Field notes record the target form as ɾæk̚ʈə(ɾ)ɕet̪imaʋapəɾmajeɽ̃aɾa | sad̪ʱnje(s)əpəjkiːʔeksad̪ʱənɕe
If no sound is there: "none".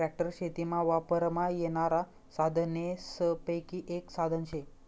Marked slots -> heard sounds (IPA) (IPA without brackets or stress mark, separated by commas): ɾ, s